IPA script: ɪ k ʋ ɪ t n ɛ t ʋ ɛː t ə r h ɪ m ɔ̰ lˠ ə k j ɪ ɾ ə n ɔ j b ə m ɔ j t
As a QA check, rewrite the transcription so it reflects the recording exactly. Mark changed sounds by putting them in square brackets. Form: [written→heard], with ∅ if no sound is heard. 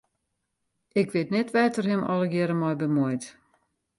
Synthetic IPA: ɪ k ʋ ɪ t n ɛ t ʋ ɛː t ə r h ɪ m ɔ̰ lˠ ə [k→ɡ] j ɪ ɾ ə [n→m] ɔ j b ə m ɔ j t